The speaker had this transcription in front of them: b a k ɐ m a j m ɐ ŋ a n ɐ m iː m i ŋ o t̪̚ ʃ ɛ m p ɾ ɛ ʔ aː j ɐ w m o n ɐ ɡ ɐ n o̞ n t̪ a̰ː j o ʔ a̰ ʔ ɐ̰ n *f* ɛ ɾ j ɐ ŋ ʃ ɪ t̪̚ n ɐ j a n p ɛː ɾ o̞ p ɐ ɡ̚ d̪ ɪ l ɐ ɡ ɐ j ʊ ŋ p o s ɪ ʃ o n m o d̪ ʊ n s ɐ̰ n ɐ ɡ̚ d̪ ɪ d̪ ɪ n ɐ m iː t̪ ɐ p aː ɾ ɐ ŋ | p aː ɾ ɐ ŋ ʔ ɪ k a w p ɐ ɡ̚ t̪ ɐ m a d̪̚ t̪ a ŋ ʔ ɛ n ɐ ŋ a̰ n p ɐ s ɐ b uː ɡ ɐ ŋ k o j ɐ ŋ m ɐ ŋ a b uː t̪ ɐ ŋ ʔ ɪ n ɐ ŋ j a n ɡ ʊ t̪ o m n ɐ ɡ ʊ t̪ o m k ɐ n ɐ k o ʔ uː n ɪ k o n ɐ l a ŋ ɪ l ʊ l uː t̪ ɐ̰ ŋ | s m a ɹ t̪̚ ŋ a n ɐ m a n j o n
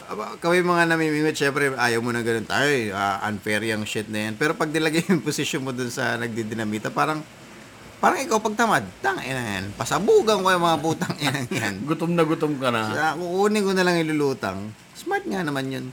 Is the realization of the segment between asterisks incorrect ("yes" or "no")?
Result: no